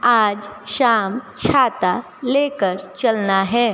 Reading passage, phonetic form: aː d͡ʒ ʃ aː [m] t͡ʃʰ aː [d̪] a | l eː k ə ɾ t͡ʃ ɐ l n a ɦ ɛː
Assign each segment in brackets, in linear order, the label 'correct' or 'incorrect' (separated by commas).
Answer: correct, incorrect